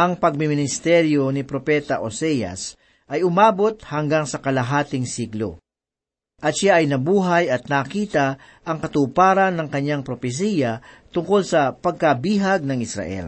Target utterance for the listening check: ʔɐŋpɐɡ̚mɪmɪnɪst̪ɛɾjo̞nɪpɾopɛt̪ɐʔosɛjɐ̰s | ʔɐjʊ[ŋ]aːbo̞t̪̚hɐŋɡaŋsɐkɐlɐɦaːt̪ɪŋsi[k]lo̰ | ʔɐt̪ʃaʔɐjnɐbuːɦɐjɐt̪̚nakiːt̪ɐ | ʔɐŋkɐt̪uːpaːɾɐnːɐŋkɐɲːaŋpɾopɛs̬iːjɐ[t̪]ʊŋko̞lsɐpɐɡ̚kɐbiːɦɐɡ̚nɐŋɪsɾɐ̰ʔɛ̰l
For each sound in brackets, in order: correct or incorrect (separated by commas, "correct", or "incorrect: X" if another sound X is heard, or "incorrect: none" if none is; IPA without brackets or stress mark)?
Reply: incorrect: m, incorrect: ɡ, correct